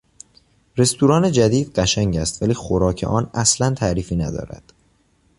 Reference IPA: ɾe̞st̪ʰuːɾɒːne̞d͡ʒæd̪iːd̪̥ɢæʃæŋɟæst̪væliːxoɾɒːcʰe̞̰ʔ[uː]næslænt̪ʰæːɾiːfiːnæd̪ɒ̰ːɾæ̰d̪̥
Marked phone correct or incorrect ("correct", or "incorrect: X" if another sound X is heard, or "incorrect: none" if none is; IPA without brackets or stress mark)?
incorrect: ɒː